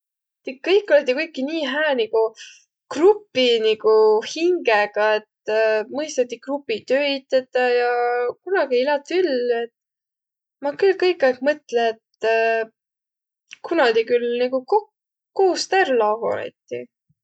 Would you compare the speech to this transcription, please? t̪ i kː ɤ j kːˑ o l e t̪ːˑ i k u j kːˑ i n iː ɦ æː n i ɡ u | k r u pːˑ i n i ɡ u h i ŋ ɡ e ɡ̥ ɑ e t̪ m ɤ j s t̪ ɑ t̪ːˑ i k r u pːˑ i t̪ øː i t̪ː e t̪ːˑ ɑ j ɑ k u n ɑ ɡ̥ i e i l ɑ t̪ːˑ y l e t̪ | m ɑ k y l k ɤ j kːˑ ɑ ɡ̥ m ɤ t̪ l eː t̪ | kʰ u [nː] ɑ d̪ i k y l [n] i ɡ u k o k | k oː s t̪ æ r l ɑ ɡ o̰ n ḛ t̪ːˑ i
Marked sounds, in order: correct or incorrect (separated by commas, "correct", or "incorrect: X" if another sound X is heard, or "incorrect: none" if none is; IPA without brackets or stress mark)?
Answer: incorrect: n, correct